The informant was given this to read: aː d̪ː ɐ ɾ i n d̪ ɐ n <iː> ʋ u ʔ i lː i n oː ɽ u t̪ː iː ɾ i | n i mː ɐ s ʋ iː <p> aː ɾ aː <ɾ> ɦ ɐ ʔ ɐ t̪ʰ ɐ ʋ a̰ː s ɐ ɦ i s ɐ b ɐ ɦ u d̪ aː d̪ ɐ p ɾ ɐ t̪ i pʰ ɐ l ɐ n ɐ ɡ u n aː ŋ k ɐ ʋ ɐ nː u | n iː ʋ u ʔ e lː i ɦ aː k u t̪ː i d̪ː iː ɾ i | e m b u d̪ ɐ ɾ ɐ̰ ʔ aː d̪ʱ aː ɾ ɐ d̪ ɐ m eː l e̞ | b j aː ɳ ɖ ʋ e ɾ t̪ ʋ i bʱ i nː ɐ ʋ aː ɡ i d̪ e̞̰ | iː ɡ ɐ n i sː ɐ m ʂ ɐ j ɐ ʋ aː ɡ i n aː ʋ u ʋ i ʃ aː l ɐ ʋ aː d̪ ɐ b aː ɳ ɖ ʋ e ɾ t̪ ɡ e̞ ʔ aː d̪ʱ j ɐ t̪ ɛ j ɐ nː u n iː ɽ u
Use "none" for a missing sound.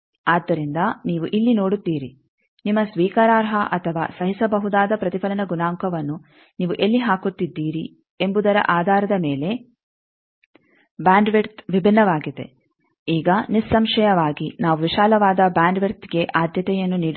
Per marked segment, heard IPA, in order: iː, k, ɾ

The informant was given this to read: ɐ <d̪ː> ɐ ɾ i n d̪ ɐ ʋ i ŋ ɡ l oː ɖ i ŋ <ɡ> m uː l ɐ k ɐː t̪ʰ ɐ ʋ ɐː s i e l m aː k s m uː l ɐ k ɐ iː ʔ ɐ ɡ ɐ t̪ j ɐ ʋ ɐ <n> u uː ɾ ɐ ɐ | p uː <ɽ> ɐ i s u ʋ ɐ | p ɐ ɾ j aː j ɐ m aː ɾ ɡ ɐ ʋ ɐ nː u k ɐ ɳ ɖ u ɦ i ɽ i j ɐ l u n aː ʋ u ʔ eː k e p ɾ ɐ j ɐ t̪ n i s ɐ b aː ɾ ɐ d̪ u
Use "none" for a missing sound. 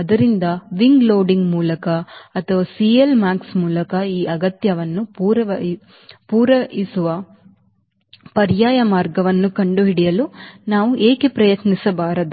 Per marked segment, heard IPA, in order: d̪, ɡ, nː, ɾ

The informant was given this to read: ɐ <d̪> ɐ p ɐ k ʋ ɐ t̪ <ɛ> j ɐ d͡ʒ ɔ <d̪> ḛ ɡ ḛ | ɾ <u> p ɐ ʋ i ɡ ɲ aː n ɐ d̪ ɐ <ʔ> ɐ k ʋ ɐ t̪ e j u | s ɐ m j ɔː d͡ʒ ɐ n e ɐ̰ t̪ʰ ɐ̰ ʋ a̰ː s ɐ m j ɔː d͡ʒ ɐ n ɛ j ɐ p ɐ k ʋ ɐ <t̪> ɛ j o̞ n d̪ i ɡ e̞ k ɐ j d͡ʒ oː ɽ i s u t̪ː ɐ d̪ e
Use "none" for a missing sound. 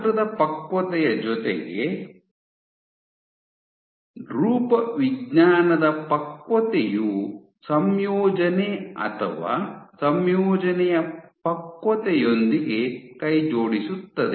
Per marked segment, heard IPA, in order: d̪, ɛ, t̪, uː, p, t̪

